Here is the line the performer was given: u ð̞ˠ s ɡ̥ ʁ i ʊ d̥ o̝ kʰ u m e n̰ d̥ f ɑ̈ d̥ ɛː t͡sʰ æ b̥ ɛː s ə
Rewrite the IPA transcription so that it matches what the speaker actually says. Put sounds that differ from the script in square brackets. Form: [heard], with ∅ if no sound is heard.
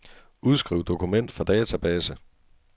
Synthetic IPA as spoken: u ð̞ˠ s ɡ̥ ʁ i ʊ d̥ o̝ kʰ u m e n̰ d̥ f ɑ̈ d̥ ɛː t͡sʰ æ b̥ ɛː s ə

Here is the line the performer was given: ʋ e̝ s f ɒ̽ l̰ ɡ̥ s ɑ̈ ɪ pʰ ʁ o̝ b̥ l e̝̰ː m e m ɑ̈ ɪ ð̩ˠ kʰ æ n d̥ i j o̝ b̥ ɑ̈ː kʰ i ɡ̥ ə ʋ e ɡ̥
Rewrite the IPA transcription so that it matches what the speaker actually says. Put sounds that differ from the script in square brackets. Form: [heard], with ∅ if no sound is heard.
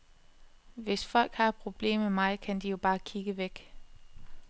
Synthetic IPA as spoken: ʋ e̝ s f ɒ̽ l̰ ɡ̥ [h] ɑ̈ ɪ pʰ ʁ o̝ b̥ l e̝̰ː m e m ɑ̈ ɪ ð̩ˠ kʰ æ n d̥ i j o̝ b̥ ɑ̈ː kʰ i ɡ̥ ə ʋ e ɡ̥

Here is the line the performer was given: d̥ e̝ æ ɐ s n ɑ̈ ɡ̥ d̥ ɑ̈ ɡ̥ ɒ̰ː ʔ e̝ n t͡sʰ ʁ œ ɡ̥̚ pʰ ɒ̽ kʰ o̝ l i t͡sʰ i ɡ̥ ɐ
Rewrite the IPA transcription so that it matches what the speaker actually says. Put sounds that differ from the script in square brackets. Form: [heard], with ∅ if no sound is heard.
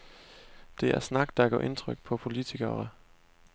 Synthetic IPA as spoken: d̥ e̝ æ ɐ s n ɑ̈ ɡ̥ d̥ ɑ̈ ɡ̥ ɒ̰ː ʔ e̝ n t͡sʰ ʁ œ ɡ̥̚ pʰ ɒ̽ [pʰ] o̝ l i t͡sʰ i ɡ̥ ɐ

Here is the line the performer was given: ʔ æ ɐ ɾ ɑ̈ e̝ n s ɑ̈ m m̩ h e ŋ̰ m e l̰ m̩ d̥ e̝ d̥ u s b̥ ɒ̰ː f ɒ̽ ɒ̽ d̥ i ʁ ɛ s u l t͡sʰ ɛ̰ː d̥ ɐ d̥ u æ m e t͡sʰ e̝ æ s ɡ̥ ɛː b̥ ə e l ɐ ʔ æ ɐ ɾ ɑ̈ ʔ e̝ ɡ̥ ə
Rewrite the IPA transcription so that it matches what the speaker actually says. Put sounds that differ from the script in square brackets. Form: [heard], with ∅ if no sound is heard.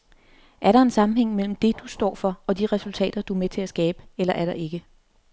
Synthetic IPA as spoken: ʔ æ ɐ ɾ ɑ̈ e̝ n s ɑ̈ m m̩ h e ŋ̰ m e l̰ m̩ d̥ e̝ d̥ u s [d̥] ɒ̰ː f ɒ̽ ɒ̽ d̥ i ʁ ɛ s u l t͡sʰ ɛ̰ː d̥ ɐ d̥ u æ m e t͡sʰ e̝ æ s ɡ̥ ɛː b̥ ə e l ɐ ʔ æ ɐ ɾ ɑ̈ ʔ e̝ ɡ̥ ə

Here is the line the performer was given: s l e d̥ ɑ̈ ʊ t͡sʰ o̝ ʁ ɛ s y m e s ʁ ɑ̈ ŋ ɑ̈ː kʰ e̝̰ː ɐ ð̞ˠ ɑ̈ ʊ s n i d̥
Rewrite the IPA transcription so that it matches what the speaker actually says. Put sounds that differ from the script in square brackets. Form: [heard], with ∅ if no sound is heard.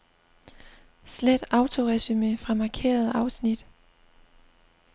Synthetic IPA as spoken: s l e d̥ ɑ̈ ʊ t͡sʰ o̝ ʁ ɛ s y m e [f] ʁ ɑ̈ [m] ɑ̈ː kʰ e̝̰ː ɐ ð̞ˠ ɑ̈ ʊ s n i d̥

